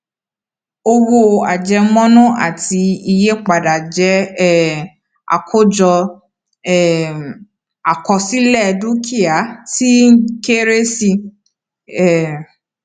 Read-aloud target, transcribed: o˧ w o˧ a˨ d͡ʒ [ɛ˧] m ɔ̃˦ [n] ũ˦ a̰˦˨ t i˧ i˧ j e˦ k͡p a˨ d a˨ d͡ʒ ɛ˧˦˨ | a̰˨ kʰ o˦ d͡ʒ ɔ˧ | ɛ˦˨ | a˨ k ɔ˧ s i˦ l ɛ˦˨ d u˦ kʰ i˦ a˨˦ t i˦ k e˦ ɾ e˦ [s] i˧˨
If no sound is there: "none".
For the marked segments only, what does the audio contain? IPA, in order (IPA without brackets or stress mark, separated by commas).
ɛ˧, n, s